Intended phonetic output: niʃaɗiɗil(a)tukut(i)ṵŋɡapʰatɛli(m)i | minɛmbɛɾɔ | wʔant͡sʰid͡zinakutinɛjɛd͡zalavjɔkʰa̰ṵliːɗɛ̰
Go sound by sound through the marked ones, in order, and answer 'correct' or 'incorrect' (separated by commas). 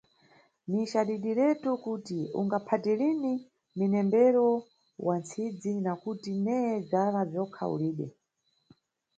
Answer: incorrect, correct, incorrect